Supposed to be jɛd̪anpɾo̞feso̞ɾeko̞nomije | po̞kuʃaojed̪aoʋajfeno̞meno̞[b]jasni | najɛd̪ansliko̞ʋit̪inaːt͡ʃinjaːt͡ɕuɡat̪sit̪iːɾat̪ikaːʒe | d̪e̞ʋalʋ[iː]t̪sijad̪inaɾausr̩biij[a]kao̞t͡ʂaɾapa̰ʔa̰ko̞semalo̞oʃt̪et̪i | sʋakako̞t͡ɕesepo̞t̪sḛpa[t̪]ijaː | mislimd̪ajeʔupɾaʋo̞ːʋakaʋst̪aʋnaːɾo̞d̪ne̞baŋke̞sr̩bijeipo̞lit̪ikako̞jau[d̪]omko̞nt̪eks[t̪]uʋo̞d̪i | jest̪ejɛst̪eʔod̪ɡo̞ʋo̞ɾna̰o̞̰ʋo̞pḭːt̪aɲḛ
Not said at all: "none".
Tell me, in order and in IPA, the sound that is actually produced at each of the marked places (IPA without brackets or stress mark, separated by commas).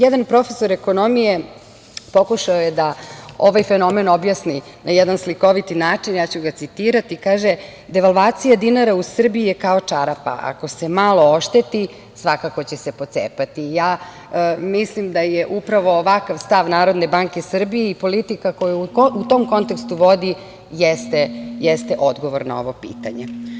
b, aː, e, t̪, t̪, t̪